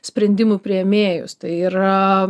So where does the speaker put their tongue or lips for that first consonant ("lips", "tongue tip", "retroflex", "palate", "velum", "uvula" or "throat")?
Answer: tongue tip